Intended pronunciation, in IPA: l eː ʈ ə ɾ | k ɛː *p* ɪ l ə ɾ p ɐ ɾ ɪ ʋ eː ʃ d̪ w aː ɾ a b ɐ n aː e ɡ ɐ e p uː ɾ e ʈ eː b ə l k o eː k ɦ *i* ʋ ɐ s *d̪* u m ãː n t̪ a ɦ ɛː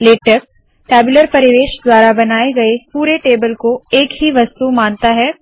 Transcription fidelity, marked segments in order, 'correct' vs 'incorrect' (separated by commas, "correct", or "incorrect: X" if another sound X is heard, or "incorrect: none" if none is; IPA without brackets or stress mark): incorrect: b, correct, incorrect: t̪